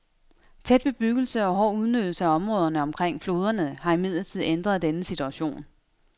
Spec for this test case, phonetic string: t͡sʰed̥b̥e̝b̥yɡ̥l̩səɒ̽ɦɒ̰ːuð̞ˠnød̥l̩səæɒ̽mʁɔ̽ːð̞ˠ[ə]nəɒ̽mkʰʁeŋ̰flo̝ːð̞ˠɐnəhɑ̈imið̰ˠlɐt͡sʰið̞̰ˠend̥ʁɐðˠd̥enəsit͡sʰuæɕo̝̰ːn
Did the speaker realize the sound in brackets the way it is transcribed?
no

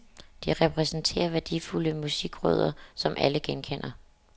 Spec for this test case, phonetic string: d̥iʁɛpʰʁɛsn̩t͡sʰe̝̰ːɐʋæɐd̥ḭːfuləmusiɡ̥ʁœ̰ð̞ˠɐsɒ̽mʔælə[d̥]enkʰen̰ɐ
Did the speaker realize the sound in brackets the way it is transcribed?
no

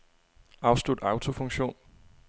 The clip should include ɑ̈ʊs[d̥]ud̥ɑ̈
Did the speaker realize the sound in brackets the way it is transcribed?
yes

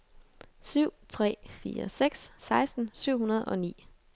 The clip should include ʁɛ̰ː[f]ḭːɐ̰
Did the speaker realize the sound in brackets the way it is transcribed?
yes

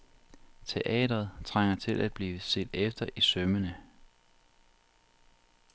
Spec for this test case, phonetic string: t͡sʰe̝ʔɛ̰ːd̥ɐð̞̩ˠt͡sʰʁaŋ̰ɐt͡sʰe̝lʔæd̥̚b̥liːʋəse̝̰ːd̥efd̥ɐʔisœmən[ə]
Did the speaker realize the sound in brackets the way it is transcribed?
yes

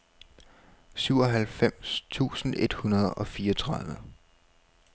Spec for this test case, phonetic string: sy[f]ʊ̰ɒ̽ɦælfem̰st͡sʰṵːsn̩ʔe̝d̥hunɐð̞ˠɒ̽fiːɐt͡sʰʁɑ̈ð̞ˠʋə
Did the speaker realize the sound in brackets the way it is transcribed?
no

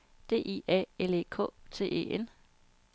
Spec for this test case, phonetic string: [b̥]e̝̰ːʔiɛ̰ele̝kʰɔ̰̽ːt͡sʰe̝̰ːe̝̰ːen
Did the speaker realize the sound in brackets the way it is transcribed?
no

